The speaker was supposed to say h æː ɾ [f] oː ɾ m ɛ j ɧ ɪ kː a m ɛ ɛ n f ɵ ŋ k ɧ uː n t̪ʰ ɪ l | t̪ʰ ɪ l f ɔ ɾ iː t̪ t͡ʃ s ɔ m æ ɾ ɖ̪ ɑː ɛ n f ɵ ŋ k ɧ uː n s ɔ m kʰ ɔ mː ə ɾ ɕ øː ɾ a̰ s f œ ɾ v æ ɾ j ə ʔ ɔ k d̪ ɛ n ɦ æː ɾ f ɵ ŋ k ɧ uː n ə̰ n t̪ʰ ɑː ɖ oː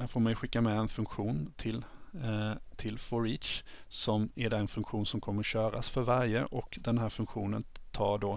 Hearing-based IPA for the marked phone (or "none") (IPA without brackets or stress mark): f